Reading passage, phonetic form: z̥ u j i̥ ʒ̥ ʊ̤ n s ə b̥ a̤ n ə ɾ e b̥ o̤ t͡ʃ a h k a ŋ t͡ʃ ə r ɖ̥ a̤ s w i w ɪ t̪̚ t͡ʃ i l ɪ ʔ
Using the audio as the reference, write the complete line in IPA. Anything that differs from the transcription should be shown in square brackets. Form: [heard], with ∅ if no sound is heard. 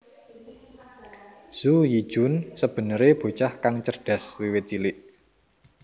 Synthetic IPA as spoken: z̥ u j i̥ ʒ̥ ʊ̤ n s ə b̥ [ə̤] n ə ɾ e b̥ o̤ t͡ʃ a h k a ŋ t͡ʃ ə r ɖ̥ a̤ s w i w ɪ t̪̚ t͡ʃ i l ɪ ʔ